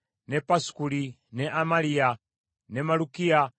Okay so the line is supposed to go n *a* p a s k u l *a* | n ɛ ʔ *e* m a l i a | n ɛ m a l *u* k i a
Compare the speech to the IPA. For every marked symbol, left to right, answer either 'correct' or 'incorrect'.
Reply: incorrect, incorrect, incorrect, correct

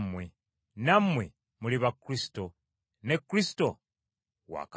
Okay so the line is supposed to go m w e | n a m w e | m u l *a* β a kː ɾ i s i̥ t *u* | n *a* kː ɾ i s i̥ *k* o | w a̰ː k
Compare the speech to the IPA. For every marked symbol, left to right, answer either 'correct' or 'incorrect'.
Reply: incorrect, incorrect, incorrect, incorrect

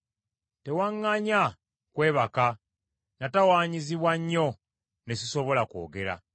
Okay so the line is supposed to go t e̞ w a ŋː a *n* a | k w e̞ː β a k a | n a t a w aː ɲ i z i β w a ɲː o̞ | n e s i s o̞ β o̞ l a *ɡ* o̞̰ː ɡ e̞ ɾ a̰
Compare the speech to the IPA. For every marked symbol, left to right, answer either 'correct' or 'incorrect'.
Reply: incorrect, incorrect

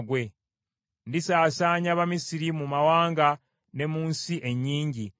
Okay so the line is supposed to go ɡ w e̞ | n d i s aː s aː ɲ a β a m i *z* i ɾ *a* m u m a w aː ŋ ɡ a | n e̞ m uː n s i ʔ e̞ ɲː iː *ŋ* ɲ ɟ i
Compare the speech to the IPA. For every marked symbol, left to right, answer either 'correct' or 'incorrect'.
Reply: incorrect, incorrect, incorrect

